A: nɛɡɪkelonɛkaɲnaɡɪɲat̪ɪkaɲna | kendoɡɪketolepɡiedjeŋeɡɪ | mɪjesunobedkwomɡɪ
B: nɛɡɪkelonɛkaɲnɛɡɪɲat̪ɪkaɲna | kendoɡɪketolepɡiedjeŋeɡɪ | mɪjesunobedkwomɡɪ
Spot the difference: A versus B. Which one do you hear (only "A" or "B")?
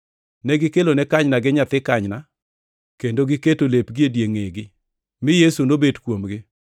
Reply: A